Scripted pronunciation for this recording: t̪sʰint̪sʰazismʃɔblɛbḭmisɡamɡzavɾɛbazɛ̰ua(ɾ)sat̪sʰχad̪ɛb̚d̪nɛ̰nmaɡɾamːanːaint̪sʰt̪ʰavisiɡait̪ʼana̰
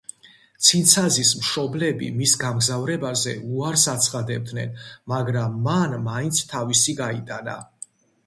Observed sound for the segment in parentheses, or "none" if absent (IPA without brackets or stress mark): ɾ